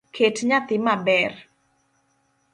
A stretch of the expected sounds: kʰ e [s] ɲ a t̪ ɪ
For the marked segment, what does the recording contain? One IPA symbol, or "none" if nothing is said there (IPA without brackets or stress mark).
t